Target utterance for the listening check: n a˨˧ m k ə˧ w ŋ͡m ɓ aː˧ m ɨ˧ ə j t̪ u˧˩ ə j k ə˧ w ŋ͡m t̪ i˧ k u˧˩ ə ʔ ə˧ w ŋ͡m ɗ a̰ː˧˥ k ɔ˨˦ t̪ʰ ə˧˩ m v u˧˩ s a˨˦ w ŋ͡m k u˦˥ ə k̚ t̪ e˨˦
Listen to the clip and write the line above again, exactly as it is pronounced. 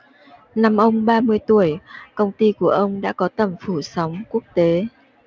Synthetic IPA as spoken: n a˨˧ m ʔ ə˧ w ŋ͡m ɓ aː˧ m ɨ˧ ə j t̪ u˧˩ ə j k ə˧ w ŋ͡m t̪ i˧ k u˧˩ ə ʔ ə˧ w ŋ͡m ɗ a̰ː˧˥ k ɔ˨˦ t̪ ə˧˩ m f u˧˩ s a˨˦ w ŋ͡m k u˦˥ ə k̚ t̪ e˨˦